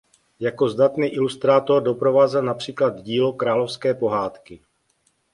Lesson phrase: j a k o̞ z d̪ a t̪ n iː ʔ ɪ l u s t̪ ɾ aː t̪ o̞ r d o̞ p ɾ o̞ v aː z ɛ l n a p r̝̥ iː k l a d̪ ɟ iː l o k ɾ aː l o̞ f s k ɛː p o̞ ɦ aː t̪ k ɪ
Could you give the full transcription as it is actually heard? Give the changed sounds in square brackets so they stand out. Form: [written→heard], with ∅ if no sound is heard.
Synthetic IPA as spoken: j a k o̞ z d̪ a t̪ n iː ʔ ɪ l u s t̪ ɾ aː t̪ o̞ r d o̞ p ɾ o̞ v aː z ɛ l n a p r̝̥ iː k l a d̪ ɟ iː l o k ɾ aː l o̞ f s k ɛː p o̞ ɦ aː t̪ k ɪ